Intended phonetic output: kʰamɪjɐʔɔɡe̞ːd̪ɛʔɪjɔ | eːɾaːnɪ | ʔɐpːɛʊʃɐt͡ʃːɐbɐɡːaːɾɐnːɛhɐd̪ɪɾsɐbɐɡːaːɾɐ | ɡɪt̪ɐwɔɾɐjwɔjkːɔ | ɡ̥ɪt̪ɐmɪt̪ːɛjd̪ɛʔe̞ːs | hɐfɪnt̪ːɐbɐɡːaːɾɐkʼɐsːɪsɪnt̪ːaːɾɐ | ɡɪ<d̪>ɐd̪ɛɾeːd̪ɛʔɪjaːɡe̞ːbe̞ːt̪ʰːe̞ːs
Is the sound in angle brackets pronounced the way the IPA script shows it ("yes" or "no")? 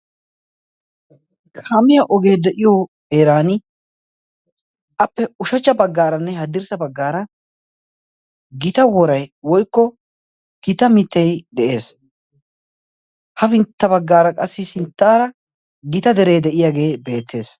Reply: no